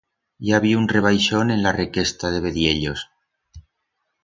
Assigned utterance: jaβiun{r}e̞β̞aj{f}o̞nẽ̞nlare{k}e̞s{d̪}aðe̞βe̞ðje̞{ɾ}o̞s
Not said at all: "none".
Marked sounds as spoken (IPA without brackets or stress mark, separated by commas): r, ʃ, k, t̪, ʎ